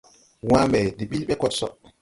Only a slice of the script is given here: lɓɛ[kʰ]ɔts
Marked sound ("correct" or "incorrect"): incorrect